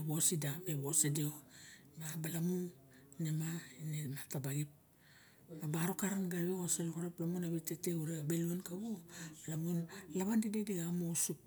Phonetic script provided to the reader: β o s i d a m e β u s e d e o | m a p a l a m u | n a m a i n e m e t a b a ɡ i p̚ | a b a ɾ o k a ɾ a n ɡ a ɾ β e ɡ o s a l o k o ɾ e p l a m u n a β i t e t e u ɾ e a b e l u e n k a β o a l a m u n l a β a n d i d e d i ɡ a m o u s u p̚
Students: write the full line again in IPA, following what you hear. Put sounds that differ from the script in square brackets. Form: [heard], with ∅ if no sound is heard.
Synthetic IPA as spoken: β o s i d a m e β [o] s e d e o | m a [b] a l a m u | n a m a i n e m [a] t a b a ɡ i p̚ | a b a ɾ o k a ɾ a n ɡ a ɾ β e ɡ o s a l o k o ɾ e p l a m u n a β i t e t e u ɾ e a b e l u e n k a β o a l a m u n l a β a n d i d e d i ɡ a m o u s u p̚